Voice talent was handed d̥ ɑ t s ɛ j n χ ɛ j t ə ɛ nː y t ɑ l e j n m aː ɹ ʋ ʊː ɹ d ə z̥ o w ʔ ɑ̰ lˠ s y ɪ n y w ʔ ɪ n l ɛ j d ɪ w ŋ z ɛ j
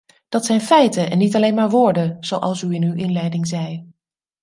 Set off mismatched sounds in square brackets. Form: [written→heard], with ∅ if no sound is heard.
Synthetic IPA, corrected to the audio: d̥ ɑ t s ɛ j n [χ→f] ɛ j t ə ɛ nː [y→i] t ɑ l e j n m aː ɹ ʋ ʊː ɹ d ə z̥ o w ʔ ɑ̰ lˠ s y ɪ n y w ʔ ɪ n l ɛ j d ɪ [w→∅] ŋ z ɛ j